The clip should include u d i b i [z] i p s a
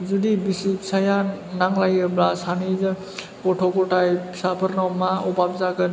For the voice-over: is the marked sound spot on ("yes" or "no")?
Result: no